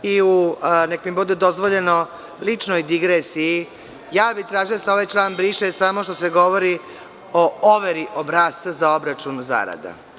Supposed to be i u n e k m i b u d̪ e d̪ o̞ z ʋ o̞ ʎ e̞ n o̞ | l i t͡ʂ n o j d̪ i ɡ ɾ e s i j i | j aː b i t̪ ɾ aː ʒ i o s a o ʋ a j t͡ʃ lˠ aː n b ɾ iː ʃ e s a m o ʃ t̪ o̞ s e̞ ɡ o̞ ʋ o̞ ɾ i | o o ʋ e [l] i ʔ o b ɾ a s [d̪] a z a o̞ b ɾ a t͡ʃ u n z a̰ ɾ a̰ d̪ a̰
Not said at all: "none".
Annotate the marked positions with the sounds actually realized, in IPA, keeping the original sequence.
ɾ, t̪

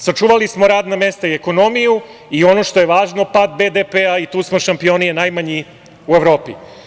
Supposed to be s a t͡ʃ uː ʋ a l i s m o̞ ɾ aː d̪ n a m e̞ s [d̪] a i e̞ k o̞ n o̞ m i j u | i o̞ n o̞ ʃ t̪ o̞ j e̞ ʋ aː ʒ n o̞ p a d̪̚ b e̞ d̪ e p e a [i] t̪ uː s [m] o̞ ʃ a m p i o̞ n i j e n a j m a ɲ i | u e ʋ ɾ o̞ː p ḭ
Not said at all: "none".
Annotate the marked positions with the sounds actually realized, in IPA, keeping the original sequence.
t̪, i, m

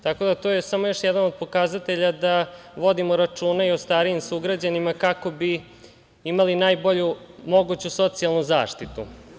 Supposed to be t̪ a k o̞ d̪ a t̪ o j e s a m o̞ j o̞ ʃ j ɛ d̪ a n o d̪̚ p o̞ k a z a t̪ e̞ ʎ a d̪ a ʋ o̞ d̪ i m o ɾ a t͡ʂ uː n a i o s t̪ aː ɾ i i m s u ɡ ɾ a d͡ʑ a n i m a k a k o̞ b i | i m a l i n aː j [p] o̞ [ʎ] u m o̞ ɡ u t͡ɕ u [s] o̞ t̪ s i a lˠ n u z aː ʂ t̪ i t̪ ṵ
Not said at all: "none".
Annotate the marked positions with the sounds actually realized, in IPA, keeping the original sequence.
b, ʎ, s

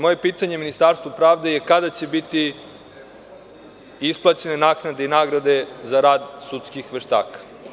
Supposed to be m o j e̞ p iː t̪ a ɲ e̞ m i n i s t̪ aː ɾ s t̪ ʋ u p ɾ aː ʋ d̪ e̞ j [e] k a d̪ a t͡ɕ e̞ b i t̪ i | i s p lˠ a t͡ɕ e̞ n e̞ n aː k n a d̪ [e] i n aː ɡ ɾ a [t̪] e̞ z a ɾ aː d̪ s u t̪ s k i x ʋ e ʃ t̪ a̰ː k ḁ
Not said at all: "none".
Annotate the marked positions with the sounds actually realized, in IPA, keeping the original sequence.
e, e, d̪

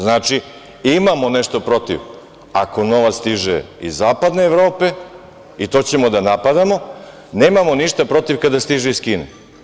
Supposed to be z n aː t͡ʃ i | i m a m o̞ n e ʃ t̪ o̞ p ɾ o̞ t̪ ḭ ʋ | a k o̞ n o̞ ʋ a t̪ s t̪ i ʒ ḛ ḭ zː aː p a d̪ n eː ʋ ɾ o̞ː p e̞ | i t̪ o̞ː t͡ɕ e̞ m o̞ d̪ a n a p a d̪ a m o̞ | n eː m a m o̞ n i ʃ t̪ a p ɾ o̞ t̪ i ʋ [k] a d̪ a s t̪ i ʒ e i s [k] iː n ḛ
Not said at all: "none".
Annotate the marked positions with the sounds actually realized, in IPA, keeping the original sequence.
k, k

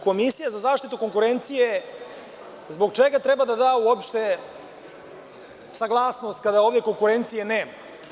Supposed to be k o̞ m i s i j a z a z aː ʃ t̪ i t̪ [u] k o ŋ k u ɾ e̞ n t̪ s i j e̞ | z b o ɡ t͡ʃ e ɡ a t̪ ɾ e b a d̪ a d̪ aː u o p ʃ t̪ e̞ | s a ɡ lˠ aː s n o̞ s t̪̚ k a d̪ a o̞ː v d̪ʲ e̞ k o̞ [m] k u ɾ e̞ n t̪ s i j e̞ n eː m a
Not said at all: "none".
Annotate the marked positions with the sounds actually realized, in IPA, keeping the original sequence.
u, ŋ

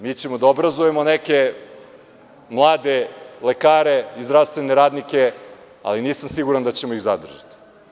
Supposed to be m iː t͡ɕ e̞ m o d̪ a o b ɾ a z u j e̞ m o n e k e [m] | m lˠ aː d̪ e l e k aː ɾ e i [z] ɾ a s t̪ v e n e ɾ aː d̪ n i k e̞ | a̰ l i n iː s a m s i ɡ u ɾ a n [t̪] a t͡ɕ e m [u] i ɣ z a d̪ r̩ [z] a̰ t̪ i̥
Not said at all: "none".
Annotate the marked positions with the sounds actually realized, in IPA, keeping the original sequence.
none, z, d̪, o, ʒ

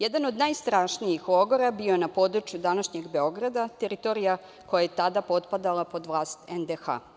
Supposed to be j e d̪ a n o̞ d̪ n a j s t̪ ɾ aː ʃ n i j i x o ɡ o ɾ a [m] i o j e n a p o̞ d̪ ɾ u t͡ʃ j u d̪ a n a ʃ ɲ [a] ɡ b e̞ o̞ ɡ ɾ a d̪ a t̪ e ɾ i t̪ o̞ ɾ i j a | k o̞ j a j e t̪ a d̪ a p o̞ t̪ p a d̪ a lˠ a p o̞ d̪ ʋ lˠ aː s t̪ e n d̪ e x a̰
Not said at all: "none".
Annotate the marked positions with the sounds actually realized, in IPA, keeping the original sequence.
b, e

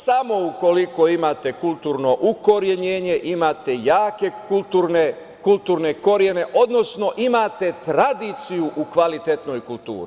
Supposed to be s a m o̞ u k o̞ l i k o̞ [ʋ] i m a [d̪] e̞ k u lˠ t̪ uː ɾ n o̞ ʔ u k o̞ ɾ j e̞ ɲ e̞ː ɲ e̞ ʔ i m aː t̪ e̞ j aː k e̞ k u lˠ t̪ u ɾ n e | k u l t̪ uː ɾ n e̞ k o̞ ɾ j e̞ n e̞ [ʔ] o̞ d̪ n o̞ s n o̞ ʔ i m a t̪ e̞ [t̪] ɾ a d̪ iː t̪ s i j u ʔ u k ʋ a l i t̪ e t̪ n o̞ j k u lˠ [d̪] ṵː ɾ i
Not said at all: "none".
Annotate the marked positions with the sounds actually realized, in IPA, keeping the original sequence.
none, t̪, ʔ, t̪, t̪

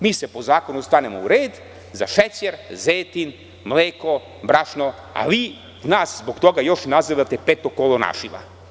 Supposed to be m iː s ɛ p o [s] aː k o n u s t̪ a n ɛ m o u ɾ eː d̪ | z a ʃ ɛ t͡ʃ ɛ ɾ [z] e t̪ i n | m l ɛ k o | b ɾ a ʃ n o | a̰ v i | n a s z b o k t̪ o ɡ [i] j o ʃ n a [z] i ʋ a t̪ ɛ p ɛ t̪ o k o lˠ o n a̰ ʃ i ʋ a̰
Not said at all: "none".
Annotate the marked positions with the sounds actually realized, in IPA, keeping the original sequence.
z, z, a, z

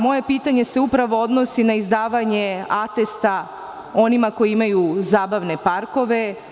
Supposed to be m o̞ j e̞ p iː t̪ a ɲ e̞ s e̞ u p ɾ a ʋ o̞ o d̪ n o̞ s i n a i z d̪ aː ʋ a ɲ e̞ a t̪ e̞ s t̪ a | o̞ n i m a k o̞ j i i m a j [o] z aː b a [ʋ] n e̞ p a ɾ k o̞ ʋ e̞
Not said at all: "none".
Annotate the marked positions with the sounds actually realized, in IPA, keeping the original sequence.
u, ʋ

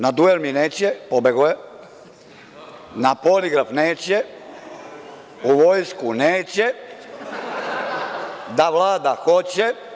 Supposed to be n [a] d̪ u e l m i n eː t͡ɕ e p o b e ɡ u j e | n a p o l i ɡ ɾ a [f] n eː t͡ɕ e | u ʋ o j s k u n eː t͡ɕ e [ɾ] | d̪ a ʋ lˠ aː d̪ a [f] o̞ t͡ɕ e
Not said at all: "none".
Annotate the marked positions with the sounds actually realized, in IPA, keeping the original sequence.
a, f, none, x

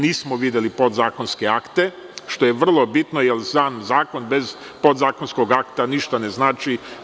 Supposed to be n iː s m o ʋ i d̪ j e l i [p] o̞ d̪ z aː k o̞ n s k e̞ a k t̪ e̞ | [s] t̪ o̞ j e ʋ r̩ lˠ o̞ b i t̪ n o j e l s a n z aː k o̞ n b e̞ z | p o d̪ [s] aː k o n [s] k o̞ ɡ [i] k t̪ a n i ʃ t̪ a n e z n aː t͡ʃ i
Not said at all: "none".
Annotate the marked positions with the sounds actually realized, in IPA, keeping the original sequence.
p, ʃ, z, s, a

